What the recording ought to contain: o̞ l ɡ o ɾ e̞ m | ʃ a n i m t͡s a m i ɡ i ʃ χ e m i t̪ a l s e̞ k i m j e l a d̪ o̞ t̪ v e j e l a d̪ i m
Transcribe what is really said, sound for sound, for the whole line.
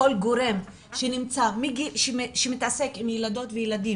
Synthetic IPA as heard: o̞ l ɡ o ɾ e̞ m | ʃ e n i m t͡s a m i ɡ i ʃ ʃ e m i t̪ a s e̞ k i m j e l a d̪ o̞ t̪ v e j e l a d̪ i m